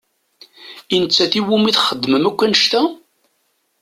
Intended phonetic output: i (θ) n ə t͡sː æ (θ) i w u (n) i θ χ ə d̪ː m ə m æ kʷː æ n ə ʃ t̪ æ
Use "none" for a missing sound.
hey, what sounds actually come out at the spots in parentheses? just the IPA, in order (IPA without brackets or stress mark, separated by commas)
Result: none, θ, m